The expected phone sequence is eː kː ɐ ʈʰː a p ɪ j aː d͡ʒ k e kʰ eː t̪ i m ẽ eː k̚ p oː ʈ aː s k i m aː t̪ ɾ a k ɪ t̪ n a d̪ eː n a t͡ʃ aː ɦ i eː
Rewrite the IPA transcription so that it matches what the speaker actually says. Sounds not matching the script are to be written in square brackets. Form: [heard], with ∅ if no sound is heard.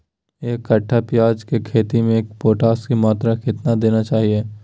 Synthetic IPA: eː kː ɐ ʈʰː a p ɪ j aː d͡ʒ k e kʰ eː t̪ i m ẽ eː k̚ p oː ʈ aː s k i m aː t̪ ɾ a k ɪ t̪ n a d̪ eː n a t͡ʃ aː ɦ i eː